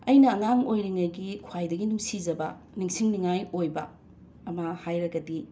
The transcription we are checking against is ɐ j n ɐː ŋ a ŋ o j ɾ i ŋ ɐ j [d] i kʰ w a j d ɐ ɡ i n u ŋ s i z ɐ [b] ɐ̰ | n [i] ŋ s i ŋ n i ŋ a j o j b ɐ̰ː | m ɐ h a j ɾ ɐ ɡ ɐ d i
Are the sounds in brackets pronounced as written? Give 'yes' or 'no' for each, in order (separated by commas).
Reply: no, yes, yes